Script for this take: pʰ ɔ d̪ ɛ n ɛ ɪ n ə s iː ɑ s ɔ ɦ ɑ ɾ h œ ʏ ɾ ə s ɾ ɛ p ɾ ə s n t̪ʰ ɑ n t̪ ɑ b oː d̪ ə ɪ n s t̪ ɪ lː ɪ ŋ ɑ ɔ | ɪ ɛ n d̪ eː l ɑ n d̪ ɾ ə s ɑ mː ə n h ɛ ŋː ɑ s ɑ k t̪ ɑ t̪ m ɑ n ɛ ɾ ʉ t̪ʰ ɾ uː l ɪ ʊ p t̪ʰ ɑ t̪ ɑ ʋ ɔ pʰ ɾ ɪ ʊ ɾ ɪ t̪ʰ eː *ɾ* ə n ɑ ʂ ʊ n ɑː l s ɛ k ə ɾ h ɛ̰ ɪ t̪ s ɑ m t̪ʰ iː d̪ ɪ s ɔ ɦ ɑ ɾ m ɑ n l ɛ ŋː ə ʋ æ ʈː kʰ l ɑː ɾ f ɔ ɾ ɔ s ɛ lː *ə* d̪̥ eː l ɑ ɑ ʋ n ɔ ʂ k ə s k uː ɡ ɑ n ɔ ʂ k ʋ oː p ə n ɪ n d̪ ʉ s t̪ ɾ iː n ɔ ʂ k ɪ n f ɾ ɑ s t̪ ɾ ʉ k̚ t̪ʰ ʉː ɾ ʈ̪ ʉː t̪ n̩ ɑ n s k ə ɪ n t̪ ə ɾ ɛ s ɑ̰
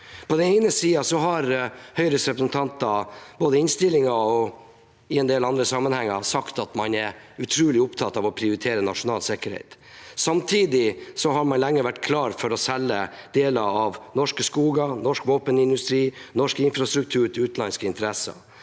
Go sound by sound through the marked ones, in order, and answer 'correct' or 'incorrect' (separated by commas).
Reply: correct, correct